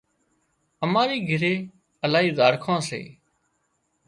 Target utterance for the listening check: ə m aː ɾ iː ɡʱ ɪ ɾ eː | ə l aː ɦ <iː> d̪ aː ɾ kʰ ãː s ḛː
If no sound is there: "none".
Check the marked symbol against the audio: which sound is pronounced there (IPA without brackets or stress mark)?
iː